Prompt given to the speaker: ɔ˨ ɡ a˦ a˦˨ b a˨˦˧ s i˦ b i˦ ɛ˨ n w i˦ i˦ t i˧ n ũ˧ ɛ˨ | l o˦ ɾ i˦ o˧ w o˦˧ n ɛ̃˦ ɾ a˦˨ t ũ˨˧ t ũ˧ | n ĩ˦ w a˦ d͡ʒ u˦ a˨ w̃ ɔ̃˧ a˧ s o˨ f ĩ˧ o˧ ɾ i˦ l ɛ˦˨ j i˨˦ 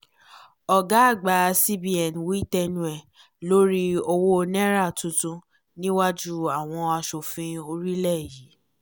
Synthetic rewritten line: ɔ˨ ɡ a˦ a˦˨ ɡ͡b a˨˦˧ s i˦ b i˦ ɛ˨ n w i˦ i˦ t ɛ˧ n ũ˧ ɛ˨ | l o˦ ɾ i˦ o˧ w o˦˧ n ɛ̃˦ ɾ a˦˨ t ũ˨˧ t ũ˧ | n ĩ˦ w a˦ d͡ʒ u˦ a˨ w̃ ɔ̃˧ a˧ ʃ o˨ f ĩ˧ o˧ ɾ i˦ l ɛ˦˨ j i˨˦